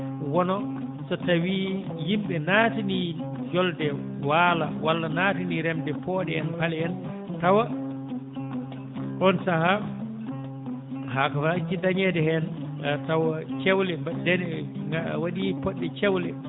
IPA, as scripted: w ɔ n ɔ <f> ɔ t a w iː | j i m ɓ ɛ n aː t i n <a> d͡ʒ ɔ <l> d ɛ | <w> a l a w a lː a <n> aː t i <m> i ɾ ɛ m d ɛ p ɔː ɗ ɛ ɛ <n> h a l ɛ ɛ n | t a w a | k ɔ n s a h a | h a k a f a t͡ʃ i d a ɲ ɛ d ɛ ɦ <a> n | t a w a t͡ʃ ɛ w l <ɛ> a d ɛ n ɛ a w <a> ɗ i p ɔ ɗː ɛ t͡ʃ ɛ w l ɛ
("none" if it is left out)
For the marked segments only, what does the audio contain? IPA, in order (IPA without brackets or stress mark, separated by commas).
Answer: s, i, l, w, n, n, n, ɛ, ɛ, a